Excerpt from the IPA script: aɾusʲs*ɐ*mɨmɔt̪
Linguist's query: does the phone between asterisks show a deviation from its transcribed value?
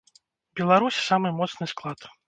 yes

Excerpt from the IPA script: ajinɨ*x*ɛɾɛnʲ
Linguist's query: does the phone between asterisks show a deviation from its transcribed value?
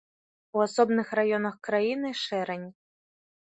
yes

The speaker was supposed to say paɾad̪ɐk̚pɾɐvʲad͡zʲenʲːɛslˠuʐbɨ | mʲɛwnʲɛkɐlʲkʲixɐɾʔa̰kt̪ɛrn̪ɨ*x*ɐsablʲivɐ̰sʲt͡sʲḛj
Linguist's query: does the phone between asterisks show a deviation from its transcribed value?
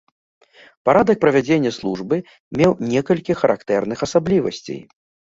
no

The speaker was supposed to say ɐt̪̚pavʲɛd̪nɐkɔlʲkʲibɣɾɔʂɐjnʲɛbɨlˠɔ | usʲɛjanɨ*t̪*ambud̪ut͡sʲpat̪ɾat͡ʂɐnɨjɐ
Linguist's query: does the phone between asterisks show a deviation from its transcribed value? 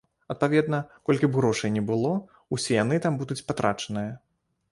no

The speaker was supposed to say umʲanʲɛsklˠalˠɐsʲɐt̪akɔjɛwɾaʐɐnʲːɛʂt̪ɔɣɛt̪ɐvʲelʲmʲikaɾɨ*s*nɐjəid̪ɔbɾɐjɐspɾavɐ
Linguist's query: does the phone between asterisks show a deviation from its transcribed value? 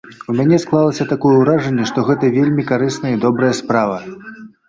no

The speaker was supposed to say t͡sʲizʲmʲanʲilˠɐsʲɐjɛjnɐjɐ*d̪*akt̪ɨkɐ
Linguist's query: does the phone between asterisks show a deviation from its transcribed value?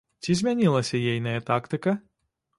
yes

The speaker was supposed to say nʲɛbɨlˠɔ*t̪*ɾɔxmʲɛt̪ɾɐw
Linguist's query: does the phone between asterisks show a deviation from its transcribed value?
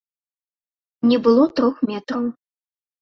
no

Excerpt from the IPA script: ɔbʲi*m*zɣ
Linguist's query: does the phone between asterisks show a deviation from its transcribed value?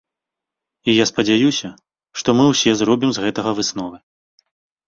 no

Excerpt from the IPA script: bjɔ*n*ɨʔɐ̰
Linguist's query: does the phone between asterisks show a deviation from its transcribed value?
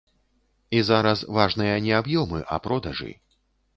yes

